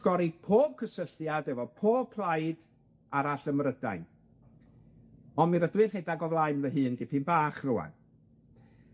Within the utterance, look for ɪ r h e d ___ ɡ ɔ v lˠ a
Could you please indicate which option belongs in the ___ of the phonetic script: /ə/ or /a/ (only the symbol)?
a